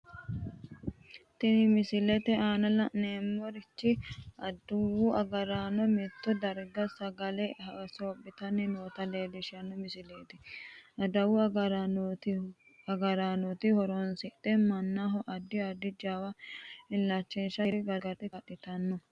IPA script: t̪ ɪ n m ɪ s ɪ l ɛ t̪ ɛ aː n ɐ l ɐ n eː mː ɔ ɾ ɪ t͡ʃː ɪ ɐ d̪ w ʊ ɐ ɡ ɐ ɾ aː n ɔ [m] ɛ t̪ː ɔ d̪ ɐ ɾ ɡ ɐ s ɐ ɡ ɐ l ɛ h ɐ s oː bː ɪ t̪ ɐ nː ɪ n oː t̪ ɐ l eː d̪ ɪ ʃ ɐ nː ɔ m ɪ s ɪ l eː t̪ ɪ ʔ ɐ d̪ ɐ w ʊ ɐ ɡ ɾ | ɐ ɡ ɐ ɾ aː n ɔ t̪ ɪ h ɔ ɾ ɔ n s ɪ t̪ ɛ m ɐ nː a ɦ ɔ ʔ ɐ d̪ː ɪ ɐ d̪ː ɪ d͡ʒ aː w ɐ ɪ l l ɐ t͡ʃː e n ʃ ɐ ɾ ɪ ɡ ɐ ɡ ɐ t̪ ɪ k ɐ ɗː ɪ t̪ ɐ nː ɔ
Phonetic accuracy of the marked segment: correct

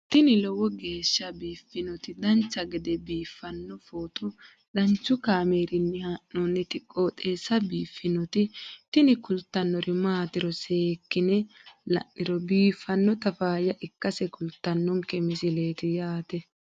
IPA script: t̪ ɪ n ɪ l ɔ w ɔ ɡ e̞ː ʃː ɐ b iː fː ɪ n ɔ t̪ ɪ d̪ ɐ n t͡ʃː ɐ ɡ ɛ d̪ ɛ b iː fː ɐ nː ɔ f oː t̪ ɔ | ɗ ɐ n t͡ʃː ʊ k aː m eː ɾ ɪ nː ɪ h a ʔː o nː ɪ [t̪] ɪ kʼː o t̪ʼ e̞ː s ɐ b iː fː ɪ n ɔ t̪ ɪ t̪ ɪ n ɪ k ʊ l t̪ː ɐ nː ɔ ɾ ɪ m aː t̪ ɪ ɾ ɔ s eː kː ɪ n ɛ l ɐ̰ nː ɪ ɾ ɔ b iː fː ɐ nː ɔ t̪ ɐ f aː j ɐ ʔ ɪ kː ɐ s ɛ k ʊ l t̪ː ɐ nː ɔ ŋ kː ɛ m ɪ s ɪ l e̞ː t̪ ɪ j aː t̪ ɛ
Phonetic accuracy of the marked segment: correct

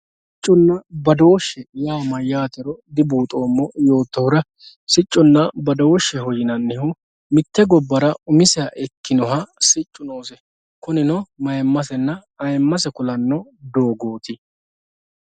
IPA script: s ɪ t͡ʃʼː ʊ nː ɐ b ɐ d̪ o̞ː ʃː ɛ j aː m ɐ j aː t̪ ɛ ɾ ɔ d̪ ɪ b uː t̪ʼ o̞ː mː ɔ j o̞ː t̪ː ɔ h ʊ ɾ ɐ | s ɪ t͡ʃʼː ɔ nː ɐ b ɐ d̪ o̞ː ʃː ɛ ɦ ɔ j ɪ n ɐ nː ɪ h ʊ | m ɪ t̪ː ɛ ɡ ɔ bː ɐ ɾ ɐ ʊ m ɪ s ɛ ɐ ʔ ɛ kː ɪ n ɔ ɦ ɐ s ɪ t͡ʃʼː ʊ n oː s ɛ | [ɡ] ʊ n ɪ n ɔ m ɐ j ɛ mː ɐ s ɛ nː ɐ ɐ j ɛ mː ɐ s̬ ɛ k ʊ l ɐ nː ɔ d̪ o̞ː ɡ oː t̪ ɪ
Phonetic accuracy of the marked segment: incorrect: k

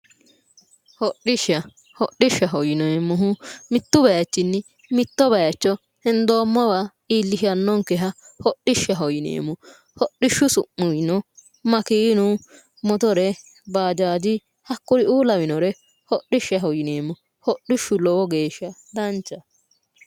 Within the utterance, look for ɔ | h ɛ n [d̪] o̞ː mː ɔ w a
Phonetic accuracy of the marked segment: correct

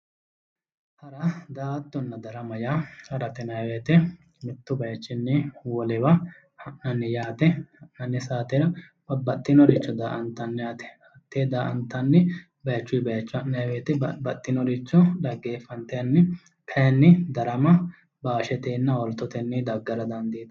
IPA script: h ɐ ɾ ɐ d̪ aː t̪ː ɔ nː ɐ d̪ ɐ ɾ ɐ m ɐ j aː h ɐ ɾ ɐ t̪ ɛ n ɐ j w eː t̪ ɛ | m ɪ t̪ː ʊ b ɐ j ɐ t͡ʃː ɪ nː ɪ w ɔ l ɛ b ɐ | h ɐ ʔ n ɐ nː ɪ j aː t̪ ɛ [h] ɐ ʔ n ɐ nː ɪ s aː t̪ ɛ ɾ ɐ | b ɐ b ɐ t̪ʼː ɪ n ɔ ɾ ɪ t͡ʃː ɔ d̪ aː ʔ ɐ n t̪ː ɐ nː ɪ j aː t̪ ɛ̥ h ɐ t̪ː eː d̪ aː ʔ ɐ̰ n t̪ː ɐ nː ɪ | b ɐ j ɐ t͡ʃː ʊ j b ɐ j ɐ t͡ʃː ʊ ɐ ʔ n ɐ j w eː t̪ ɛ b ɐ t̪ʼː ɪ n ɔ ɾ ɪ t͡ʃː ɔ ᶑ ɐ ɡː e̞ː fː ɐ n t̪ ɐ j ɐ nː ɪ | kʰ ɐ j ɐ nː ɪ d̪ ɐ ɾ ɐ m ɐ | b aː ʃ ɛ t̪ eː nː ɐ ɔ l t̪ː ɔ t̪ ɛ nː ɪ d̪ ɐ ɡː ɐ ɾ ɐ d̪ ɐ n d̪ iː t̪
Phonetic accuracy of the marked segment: correct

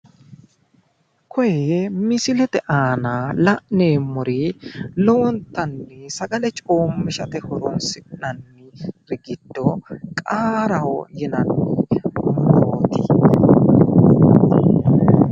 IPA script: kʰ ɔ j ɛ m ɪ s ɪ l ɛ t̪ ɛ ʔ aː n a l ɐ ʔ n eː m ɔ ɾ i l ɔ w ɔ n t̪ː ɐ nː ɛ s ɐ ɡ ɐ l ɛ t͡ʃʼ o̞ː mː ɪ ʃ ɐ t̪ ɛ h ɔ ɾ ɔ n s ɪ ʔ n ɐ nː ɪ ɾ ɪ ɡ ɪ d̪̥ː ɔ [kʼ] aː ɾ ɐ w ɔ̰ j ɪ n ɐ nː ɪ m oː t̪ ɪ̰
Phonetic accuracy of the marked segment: correct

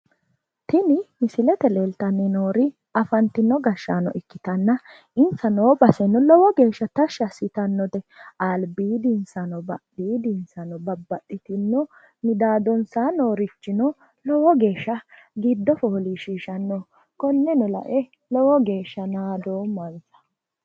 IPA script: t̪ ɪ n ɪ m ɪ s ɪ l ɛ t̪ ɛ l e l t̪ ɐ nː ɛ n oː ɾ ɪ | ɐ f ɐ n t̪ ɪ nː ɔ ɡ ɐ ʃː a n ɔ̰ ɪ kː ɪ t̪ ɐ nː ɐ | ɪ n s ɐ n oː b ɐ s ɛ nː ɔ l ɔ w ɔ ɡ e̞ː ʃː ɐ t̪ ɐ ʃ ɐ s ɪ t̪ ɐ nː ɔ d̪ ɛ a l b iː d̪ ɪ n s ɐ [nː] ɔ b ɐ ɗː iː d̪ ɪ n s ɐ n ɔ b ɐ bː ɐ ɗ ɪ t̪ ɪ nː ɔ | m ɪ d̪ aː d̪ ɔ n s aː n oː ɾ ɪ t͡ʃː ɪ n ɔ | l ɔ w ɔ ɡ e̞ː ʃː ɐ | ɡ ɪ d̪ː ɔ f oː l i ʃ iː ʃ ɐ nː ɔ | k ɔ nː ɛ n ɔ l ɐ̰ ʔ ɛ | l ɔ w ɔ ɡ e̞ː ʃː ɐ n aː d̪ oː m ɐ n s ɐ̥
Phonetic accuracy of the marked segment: incorrect: n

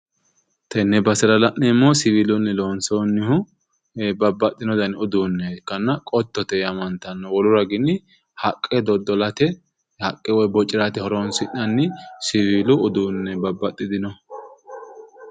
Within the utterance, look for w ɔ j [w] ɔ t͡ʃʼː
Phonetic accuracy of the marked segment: incorrect: b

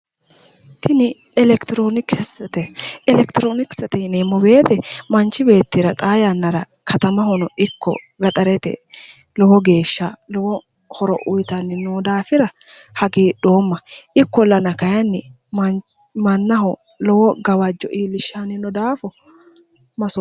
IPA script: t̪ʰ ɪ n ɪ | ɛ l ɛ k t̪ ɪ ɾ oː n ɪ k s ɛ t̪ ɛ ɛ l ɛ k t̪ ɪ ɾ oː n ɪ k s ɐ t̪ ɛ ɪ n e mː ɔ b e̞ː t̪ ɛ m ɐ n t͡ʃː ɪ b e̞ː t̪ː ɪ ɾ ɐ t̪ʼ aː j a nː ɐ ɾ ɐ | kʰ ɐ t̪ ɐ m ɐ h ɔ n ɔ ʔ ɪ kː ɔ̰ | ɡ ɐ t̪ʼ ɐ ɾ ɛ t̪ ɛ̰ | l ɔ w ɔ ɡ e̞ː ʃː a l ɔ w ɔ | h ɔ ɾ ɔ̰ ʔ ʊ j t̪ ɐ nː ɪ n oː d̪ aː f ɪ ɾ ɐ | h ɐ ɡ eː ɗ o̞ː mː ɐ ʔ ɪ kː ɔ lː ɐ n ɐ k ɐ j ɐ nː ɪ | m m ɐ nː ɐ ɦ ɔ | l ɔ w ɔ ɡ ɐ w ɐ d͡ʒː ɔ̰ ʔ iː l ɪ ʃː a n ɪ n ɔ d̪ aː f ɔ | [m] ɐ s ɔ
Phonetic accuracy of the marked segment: correct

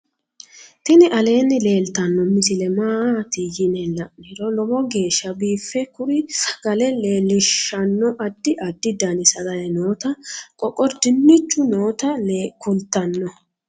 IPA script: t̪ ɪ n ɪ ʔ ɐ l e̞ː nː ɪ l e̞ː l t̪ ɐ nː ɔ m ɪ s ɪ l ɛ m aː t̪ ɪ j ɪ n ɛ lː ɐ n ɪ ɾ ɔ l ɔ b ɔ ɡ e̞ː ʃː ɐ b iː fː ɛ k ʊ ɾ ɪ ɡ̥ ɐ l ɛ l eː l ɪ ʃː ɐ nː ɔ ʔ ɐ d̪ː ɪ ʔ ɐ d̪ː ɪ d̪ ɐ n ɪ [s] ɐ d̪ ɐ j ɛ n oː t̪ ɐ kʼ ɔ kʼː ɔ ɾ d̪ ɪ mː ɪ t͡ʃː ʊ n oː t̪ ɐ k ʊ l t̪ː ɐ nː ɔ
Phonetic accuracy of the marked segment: correct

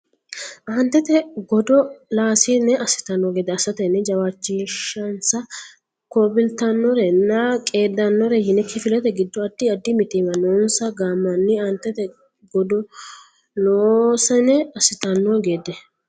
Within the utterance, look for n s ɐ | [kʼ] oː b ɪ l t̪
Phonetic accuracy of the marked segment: incorrect: k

